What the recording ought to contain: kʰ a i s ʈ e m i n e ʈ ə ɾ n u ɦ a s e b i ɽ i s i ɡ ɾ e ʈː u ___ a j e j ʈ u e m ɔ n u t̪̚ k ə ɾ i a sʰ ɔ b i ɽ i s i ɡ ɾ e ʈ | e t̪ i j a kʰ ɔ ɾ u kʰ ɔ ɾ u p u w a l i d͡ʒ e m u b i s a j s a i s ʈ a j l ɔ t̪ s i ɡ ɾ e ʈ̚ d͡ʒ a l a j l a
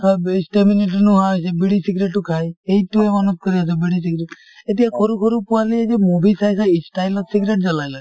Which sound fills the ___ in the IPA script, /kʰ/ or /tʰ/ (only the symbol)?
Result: kʰ